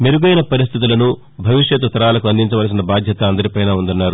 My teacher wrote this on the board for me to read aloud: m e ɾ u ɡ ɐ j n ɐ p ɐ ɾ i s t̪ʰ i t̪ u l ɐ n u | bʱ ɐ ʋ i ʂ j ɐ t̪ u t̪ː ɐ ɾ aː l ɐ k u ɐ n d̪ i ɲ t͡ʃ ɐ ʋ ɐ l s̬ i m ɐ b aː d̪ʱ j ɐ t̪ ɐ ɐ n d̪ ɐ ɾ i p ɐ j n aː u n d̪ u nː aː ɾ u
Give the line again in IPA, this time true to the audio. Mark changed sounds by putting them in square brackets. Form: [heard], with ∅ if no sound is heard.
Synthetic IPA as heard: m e ɾ u ɡ ɐ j n ɐ p ɐ ɾ i s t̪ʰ i t̪ u l ɐ n u | bʱ ɐ ʋ i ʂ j ɐ t̪ u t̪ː ɐ ɾ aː l ɐ k u ɐ n d̪ i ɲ t͡ʃ ɐ ʋ ɐ l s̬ i [n] ɐ b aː d̪ʱ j ɐ t̪ ɐ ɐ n d̪ ɐ ɾ i p ɐ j n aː u n d̪ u nː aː ɾ u